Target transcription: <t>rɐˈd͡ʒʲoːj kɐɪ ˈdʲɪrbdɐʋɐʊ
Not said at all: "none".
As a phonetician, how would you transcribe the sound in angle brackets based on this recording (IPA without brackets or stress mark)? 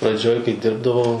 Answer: p